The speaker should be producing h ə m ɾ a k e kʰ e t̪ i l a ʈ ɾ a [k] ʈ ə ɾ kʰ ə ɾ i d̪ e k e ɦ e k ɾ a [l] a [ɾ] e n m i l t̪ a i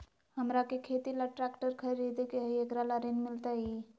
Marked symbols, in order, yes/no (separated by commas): yes, yes, yes